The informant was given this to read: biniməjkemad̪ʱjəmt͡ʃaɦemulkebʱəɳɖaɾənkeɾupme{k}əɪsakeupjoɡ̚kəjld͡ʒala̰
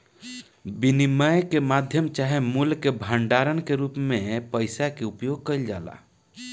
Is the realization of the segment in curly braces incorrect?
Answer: yes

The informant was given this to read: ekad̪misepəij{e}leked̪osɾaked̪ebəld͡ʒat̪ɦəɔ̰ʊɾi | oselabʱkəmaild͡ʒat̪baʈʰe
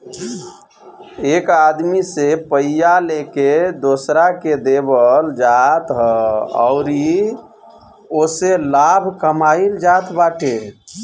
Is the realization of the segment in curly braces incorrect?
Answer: yes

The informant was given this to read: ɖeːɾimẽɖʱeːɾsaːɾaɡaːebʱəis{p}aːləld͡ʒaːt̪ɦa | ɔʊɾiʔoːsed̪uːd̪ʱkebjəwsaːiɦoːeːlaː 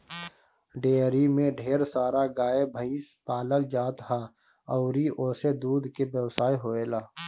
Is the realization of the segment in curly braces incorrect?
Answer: no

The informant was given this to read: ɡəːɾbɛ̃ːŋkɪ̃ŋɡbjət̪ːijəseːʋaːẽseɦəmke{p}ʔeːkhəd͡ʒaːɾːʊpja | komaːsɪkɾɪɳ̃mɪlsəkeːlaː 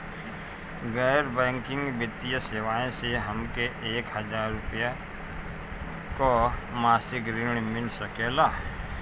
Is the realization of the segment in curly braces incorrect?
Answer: yes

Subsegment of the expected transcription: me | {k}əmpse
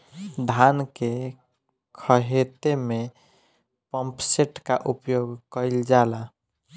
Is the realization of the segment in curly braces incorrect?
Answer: yes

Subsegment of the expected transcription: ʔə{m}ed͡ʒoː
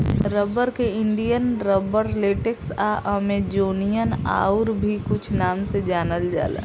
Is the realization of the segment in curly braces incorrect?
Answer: no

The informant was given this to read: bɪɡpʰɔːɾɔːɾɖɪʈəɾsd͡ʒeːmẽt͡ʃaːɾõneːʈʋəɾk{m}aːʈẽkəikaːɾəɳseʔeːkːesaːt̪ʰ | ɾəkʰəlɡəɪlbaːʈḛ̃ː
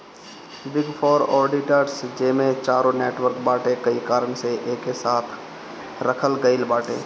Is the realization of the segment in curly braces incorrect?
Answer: yes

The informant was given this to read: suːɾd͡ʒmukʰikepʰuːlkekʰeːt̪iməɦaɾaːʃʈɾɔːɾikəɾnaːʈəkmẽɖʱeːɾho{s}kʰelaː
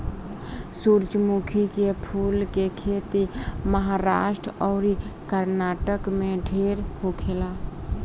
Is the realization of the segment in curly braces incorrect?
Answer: yes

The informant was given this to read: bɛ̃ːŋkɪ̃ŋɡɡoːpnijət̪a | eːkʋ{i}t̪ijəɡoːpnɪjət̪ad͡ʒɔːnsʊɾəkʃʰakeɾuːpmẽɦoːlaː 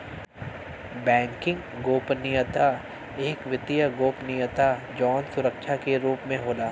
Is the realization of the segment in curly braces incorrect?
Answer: yes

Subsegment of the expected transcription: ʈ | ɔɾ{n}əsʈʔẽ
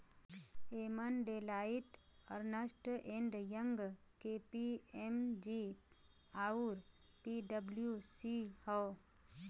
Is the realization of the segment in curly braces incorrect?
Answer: no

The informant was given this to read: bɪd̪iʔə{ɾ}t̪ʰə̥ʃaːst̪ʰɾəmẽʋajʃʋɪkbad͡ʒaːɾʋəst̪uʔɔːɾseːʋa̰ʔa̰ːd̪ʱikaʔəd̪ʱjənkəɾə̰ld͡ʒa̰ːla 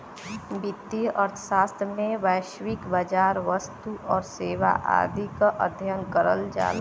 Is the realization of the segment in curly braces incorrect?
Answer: no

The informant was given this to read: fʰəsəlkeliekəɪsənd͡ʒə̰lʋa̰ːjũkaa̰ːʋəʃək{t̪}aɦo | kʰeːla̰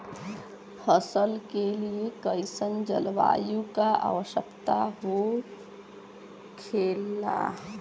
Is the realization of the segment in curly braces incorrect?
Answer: no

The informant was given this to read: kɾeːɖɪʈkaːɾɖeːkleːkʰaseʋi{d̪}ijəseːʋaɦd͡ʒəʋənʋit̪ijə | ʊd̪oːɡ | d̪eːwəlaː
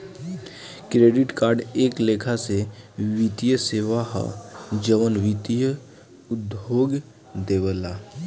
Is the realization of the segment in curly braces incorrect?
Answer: yes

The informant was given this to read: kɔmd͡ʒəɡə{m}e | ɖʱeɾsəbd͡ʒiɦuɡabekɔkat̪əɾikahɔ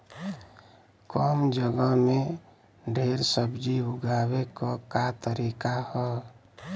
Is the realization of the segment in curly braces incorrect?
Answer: no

